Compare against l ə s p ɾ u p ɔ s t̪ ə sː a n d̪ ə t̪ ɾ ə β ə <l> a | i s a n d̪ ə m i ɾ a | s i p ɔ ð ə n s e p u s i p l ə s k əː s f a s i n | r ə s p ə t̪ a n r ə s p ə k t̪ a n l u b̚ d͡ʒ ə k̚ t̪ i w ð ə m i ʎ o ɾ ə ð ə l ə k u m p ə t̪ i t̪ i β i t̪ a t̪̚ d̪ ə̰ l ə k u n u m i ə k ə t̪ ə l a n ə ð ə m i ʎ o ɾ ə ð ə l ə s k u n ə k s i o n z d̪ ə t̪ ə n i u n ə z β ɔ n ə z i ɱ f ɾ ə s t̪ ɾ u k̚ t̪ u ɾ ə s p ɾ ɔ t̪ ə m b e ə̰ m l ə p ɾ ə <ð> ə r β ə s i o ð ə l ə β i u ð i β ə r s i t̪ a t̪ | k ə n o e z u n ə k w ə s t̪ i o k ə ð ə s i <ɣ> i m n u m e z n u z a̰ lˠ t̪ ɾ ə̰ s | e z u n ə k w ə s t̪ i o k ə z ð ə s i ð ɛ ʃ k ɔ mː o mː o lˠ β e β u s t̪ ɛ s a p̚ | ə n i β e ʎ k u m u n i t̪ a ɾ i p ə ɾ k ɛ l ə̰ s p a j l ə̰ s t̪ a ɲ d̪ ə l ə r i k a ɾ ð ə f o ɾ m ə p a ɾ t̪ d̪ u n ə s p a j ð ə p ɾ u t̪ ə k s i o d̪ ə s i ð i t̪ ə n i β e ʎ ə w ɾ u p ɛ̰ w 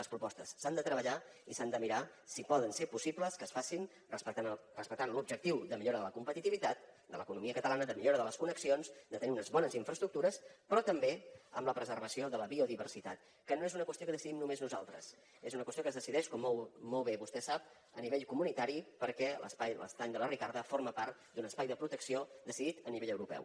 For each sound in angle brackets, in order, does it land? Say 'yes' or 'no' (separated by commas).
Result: no, no, no